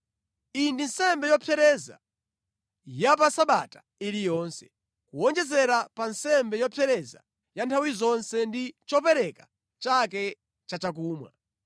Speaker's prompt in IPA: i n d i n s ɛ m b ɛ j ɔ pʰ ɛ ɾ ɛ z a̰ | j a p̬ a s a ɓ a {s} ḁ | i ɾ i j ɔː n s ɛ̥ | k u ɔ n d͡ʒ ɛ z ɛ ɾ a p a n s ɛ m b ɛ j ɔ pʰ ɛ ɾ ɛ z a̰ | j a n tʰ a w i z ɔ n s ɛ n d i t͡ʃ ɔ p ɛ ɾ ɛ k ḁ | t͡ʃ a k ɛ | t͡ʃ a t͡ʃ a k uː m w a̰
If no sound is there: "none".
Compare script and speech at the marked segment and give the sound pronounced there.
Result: t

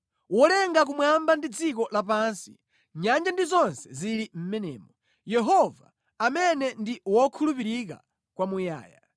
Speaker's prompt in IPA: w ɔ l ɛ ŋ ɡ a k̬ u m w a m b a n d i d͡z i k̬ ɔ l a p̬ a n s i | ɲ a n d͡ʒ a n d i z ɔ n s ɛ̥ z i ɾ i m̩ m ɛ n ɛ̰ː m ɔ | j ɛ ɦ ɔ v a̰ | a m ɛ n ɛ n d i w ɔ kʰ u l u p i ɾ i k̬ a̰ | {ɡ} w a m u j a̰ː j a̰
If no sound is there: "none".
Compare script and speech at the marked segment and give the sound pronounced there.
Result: k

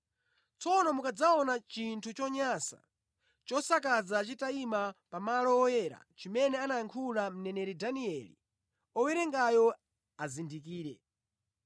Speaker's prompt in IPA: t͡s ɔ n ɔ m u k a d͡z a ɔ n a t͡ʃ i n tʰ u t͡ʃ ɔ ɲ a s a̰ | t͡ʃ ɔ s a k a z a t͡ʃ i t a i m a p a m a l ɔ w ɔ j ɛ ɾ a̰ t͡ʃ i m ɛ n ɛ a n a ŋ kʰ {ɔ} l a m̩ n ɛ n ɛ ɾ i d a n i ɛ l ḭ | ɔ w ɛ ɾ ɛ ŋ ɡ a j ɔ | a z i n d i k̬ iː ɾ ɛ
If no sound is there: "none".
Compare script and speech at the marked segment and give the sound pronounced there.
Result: u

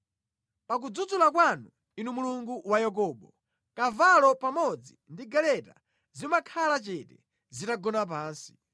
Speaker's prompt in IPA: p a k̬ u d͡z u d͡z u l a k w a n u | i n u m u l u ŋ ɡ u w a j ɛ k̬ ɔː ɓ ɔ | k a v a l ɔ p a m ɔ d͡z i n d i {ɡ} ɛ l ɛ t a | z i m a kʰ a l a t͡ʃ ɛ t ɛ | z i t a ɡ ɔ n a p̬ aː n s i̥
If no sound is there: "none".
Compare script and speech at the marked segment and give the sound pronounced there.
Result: ɡ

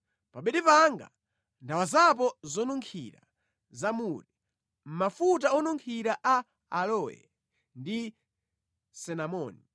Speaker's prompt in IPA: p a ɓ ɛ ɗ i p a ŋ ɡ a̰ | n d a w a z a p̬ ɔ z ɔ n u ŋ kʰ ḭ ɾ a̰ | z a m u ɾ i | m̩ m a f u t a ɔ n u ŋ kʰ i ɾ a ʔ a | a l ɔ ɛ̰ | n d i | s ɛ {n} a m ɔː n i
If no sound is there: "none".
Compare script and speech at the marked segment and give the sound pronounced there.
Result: n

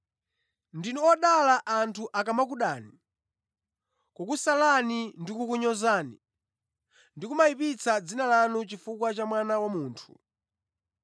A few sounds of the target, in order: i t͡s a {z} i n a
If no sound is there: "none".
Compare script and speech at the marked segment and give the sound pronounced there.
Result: d͡z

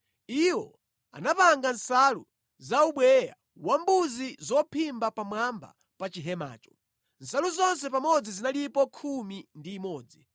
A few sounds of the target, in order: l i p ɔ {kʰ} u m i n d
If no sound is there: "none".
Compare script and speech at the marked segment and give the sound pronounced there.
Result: kʰ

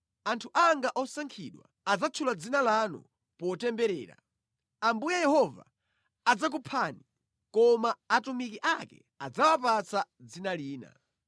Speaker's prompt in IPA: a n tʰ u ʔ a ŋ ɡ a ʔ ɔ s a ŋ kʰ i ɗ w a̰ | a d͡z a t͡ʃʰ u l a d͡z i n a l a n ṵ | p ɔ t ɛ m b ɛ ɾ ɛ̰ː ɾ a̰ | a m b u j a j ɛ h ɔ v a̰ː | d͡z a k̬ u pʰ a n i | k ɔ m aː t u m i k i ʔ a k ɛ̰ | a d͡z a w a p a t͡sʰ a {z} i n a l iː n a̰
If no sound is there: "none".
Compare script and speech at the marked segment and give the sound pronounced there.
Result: d͡z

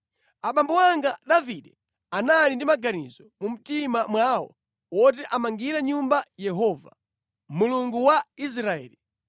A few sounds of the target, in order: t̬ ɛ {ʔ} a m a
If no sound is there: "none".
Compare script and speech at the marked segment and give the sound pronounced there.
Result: ʔ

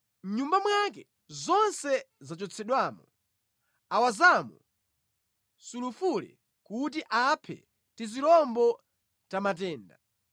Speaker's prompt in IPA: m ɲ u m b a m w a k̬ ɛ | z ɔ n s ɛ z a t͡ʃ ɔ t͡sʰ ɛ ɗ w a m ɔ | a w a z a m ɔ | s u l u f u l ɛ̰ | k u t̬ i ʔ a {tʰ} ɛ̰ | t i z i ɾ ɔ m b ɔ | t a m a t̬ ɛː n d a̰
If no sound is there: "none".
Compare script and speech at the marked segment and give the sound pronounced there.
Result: pʰ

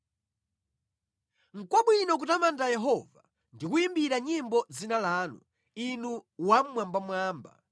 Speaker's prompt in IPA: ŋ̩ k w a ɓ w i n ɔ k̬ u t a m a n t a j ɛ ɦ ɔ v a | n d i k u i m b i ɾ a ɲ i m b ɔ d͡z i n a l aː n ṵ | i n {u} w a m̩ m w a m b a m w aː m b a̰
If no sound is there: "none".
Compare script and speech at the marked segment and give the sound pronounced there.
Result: u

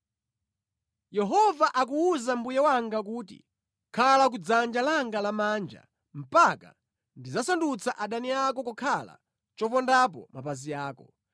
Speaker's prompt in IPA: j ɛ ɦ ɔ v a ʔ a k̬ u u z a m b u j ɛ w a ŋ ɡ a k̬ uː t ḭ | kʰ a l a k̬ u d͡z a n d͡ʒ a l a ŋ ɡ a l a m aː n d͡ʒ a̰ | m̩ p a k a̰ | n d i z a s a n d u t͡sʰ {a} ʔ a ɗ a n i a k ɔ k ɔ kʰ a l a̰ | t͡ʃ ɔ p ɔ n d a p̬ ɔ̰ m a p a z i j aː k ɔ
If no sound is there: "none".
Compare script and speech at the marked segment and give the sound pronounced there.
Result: a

